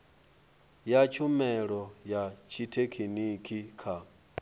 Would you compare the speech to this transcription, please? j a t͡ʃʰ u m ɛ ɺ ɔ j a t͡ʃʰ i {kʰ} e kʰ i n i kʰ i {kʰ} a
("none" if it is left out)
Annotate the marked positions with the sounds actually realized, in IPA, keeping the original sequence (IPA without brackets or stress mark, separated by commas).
tʰ, kʰ